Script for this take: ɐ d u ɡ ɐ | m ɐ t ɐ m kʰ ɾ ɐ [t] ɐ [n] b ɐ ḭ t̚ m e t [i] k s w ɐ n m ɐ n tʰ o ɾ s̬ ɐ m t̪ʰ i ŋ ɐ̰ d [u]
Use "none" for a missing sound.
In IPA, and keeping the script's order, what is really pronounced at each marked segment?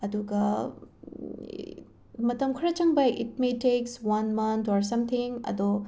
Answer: t͡ʃ, ŋ, e, o

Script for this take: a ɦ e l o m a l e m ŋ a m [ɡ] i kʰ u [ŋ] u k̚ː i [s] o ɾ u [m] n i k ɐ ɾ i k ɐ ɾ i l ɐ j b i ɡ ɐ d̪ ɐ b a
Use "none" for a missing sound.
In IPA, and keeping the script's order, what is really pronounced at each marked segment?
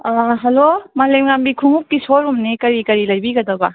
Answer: b, ŋ, s, m

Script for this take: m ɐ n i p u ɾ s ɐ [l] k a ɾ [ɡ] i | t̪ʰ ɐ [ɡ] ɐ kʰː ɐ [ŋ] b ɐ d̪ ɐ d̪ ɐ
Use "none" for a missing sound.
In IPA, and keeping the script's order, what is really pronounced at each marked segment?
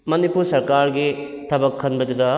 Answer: ɾ, ɡ, b, n

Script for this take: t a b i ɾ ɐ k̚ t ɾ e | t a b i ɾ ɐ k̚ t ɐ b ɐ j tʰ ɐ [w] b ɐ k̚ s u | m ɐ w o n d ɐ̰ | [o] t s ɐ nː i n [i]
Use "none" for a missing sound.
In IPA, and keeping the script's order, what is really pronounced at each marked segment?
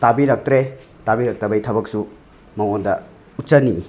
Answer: none, u, i

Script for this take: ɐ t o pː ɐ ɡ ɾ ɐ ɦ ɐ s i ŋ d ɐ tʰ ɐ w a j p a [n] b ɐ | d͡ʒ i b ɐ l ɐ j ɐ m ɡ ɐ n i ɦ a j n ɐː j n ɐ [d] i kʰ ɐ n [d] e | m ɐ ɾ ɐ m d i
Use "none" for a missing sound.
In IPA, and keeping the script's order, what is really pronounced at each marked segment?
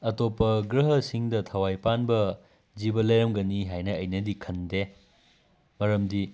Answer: n, d, d

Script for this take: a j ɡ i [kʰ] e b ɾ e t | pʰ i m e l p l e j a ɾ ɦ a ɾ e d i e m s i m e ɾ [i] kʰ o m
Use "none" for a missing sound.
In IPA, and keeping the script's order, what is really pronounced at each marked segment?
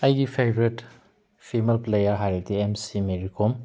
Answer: pʰ, i

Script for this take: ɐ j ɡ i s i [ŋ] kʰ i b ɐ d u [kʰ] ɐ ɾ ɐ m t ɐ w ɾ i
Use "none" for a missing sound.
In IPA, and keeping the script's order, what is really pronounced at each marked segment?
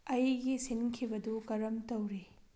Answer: n, k

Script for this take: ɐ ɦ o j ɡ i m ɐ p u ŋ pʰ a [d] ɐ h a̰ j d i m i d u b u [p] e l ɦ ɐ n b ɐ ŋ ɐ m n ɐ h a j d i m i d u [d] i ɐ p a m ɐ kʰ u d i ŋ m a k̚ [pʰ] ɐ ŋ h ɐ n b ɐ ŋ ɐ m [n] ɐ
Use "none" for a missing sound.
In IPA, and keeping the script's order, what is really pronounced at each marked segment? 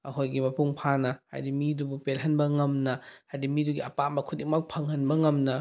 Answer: n, p, ɡ, pʰ, n

